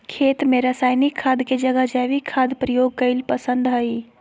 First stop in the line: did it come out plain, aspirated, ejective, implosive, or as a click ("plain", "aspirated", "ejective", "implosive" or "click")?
aspirated